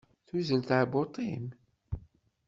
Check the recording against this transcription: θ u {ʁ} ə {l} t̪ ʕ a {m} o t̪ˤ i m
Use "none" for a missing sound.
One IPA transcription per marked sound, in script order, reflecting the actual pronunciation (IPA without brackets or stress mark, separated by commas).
z, l, b